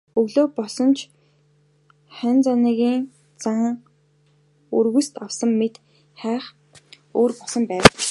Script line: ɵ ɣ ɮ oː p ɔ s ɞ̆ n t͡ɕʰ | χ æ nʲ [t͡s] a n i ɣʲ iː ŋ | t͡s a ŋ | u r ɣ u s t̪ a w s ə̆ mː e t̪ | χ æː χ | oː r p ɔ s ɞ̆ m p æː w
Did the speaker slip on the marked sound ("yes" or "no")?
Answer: no